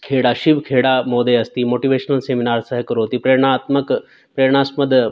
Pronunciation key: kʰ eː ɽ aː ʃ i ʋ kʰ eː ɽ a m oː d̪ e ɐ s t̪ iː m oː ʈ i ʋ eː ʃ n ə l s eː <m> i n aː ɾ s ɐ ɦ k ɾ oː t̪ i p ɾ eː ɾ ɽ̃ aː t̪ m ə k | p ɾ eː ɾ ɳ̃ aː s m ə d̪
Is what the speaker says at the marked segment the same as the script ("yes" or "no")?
yes